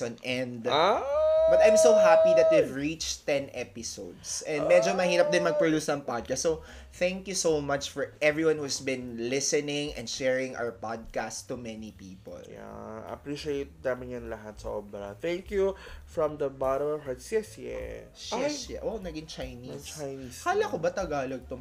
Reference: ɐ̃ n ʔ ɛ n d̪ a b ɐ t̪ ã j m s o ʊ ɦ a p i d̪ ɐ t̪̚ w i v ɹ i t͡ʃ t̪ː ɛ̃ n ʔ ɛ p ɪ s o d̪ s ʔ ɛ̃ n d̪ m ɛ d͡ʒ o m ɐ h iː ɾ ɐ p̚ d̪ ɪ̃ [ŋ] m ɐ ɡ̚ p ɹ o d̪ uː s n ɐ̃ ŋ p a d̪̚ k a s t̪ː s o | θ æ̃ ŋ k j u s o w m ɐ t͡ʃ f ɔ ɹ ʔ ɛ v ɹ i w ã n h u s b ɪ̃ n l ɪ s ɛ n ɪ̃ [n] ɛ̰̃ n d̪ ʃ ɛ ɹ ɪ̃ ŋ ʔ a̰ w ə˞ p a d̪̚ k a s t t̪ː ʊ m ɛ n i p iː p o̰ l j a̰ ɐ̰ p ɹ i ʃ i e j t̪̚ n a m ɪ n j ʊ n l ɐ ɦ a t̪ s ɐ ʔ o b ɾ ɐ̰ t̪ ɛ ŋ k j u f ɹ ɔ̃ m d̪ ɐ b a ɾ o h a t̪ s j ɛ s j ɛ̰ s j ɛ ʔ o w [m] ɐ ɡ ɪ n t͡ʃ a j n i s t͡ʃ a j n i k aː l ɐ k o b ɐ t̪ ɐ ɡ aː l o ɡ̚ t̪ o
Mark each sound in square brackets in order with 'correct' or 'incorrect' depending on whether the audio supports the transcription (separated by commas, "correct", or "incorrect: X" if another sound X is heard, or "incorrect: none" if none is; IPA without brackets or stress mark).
incorrect: n, incorrect: ŋ, incorrect: n